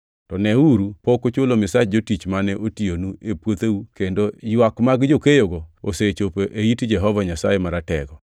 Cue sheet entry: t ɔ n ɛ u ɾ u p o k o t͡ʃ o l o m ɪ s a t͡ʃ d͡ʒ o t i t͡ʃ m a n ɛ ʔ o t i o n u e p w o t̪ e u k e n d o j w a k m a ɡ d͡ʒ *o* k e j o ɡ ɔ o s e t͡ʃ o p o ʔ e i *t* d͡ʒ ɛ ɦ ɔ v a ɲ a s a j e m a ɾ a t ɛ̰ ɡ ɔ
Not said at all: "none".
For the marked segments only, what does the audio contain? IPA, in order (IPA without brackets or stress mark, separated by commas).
o, t